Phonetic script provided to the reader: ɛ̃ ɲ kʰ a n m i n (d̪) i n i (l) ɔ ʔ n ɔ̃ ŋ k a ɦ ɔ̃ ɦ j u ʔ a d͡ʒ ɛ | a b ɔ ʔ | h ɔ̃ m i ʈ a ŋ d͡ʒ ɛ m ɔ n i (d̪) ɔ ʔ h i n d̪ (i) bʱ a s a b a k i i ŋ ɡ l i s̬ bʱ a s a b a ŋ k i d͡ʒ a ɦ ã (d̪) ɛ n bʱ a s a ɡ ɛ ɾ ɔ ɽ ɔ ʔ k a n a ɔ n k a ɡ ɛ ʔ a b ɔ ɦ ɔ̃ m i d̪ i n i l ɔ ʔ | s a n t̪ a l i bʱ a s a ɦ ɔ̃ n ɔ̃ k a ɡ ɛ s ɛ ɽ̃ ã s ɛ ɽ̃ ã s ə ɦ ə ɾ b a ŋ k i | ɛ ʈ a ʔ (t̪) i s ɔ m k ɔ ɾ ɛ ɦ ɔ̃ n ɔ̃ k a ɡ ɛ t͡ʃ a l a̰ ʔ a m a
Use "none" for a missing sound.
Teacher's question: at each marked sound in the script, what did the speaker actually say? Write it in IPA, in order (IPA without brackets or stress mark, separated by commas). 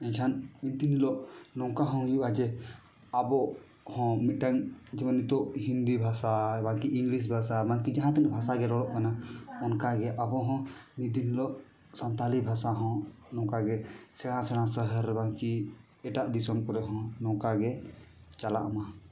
t̪, l, t̪, i, t̪, d̪